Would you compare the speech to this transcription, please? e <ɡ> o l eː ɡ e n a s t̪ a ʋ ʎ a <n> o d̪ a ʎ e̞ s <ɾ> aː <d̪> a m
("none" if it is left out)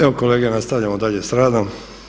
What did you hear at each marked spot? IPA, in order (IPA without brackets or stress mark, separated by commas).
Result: k, m, ɾ, d̪